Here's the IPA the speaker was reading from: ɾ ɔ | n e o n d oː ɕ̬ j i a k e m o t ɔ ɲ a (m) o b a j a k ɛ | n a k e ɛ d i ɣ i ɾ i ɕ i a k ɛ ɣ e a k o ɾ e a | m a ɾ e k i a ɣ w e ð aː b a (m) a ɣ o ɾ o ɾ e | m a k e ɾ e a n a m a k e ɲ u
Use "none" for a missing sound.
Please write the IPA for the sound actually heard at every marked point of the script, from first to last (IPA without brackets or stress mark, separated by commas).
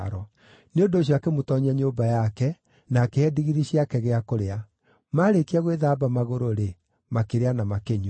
ɲ, m